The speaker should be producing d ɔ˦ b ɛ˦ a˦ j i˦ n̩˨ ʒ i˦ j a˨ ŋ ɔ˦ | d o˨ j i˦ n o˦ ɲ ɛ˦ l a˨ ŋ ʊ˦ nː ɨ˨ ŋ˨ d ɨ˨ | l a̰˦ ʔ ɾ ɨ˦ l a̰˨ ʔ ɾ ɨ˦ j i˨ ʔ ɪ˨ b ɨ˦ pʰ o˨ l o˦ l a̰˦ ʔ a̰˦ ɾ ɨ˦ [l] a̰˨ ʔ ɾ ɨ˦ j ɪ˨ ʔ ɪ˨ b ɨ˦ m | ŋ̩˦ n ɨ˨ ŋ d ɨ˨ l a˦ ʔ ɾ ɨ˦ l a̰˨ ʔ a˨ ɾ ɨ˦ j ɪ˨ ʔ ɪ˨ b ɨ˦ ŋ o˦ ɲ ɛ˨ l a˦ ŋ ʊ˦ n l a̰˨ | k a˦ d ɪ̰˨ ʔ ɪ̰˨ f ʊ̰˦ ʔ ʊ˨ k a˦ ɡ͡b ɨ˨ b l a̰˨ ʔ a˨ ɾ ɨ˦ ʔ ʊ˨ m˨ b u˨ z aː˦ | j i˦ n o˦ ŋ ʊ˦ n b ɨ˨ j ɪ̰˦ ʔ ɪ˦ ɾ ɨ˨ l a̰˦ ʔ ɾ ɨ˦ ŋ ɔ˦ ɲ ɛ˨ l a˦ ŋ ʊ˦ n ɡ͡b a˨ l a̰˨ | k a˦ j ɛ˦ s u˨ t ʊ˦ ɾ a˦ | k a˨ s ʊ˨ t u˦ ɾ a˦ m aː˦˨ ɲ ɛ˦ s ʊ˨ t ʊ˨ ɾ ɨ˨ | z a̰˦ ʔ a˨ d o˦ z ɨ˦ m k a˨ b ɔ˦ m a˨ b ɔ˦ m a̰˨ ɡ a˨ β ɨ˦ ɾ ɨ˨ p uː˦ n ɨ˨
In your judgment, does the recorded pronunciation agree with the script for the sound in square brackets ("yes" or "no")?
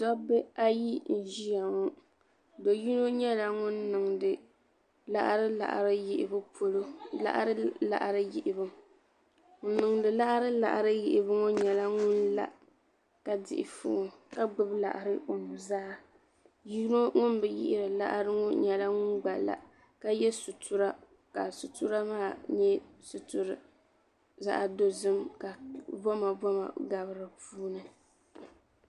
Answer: yes